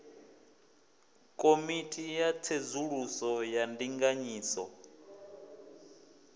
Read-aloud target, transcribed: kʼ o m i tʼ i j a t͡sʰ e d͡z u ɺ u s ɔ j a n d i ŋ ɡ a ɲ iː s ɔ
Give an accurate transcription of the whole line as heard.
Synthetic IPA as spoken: kʼ o m i tʼ i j a t͡sʰ e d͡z u ɺ u s ɔ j a n d i ŋ ɡ a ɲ iː s ɔ